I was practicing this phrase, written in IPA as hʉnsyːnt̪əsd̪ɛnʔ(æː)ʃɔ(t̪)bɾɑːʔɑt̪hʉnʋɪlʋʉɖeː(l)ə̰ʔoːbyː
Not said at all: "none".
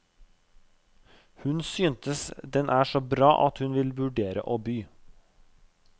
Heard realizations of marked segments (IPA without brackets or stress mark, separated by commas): æː, none, ɾ